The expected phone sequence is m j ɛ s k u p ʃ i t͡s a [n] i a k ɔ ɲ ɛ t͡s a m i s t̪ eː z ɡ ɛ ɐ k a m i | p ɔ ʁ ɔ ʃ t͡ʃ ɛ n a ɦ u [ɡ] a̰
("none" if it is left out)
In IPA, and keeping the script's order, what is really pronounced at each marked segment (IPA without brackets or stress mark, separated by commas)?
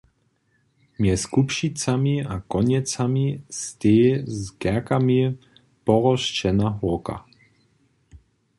m, k